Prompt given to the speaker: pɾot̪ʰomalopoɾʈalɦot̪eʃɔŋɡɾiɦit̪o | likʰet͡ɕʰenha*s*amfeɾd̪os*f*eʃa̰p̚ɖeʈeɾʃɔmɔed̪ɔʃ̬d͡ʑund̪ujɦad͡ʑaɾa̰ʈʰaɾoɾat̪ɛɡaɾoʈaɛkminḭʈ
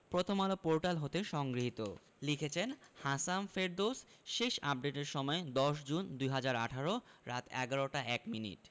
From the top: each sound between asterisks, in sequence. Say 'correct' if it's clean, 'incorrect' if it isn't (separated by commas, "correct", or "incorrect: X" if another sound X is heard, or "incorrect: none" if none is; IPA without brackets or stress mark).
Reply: correct, incorrect: ʃ